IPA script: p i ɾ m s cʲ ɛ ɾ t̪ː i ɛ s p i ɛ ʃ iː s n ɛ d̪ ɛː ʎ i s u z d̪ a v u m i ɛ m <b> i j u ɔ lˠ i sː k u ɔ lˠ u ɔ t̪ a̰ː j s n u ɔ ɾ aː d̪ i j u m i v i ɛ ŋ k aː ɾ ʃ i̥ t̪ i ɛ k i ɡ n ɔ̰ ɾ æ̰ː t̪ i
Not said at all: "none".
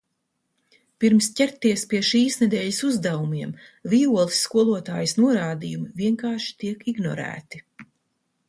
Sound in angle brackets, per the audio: v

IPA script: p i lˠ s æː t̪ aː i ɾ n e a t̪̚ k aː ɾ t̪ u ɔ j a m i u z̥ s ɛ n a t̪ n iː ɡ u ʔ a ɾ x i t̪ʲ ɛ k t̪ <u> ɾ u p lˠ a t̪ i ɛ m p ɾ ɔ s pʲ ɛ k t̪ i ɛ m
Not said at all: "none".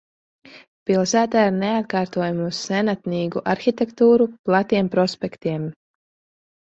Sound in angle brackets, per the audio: uː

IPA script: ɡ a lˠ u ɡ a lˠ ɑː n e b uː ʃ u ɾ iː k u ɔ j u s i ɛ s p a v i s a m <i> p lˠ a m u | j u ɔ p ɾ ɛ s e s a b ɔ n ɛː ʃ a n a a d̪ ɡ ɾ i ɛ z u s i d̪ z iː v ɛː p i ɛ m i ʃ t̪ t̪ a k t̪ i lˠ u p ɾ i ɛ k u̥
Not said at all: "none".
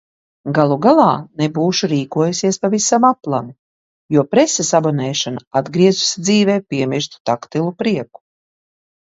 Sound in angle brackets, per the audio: a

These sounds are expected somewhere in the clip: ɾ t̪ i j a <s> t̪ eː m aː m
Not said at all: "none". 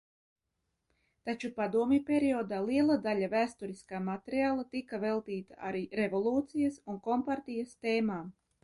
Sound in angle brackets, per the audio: s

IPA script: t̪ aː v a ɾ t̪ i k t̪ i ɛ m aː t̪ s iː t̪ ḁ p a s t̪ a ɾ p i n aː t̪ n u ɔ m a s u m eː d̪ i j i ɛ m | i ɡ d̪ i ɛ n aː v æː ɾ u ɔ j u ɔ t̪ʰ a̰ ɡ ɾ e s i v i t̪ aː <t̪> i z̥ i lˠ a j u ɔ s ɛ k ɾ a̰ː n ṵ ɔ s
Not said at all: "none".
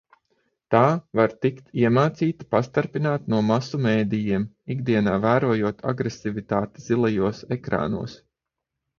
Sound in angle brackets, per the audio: t̪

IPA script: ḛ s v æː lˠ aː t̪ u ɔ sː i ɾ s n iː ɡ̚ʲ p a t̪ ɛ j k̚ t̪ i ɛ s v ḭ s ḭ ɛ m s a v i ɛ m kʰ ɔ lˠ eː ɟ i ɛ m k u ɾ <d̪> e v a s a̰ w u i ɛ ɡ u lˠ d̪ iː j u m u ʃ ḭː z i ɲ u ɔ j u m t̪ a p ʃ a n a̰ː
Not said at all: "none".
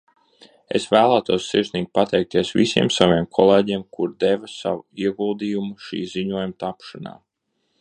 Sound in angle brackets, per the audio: d̪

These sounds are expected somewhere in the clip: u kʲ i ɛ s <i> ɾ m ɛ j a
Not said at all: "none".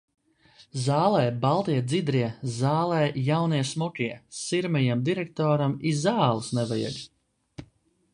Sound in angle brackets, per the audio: i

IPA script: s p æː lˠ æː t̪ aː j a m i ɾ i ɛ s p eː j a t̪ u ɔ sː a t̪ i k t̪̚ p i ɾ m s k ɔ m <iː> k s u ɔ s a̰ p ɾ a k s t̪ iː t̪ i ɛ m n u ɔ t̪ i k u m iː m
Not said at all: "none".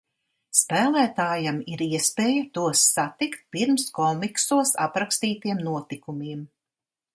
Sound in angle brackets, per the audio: i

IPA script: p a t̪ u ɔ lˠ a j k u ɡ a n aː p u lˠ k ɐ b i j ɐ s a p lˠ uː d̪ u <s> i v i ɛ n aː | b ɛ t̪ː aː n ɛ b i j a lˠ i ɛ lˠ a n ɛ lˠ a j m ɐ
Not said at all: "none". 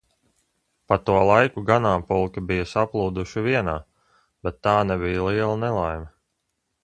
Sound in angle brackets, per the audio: ʃ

